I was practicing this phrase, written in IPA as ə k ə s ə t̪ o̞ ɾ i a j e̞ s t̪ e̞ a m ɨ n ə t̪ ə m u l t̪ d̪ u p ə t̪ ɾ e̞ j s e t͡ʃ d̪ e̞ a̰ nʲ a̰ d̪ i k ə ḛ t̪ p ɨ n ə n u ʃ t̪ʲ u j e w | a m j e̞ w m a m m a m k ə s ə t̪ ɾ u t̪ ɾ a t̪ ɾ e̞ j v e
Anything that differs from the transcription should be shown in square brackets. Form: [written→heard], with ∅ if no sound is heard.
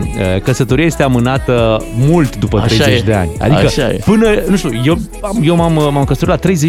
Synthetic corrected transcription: ə k ə s ə t̪ o̞ ɾ i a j e̞ s t̪ e̞ a m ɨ n [ə→a] t̪ ə m u l t̪ d̪ u p ə t̪ ɾ e̞ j [s→z] e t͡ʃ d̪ e̞ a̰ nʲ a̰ d̪ i k ə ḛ [t̪→∅] p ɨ n ə n u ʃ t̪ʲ u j e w | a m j e̞ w m a m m a m k ə s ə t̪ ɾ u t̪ [ɾ→l] a t̪ ɾ e̞ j [v→z] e